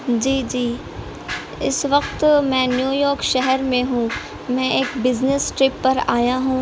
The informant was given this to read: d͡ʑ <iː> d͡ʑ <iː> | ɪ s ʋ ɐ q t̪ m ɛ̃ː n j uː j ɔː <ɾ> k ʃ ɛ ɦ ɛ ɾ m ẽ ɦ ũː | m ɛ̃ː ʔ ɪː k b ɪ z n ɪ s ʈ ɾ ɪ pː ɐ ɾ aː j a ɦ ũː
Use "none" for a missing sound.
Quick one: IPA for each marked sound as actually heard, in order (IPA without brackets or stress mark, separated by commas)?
iː, iː, ɾ